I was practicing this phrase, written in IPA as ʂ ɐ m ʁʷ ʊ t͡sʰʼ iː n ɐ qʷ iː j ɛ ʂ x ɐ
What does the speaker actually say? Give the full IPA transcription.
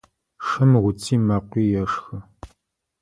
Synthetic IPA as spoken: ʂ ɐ m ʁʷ ʊ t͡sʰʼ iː m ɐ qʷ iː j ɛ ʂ x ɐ